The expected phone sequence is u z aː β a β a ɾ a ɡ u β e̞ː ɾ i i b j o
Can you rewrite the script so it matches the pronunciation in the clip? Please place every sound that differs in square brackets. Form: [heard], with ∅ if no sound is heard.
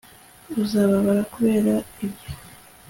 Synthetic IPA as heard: u z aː β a β a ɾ a [k] u β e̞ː ɾ [a] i b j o